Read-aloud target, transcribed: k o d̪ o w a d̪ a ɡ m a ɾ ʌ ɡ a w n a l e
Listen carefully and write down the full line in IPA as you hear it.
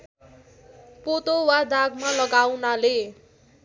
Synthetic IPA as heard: p o t̪ o w a d̪ a ɡ m a l ʌ ɡ a w n a l e